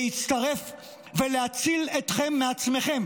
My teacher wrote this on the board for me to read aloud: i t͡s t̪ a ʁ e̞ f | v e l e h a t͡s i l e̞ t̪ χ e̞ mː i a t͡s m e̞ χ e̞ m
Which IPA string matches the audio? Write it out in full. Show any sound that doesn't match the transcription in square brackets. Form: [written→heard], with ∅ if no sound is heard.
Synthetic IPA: i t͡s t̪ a ʁ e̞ f | v e l e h a t͡s i l e̞ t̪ χ e̞ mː [i→e] a t͡s m e̞ χ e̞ m